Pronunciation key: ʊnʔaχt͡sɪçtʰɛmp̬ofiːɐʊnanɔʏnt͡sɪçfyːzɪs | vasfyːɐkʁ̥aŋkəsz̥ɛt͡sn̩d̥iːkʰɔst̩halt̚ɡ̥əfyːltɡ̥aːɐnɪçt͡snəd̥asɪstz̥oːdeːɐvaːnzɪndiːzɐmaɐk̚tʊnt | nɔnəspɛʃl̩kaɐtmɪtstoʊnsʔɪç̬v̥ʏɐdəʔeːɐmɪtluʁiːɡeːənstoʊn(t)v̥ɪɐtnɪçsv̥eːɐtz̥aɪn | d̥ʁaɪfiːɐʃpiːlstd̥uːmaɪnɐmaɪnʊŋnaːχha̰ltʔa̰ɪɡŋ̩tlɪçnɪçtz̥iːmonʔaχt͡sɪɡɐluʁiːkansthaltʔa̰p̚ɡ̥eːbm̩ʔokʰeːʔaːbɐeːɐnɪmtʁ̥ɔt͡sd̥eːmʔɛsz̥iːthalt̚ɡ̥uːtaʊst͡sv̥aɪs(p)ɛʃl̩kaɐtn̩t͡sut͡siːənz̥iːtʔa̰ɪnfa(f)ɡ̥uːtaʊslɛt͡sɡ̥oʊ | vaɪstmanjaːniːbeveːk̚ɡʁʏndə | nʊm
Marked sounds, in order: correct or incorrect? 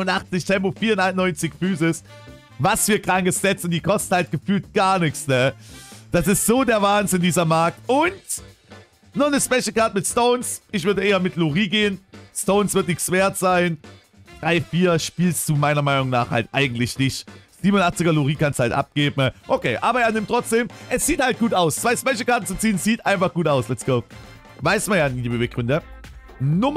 incorrect: s, correct, incorrect: χ

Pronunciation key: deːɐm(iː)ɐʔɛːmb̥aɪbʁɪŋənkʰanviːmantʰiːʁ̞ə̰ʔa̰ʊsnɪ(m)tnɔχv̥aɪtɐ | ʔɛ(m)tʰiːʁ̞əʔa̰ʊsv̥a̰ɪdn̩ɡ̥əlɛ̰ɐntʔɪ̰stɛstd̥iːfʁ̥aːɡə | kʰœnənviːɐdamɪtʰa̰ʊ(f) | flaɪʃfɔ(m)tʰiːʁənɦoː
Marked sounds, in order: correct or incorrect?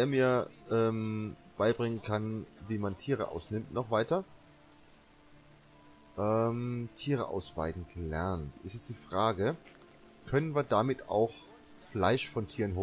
correct, correct, correct, incorrect: x, incorrect: n

